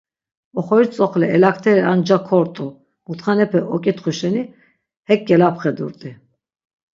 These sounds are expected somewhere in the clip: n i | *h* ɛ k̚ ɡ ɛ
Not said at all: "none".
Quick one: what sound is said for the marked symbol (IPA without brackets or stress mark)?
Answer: h